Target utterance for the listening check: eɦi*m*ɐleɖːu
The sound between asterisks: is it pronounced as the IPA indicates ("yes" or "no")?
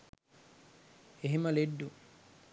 yes